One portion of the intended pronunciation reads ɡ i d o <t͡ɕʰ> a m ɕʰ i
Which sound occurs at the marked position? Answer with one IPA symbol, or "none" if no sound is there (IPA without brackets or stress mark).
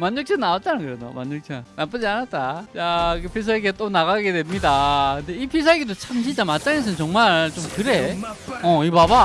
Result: t͡ɕʰ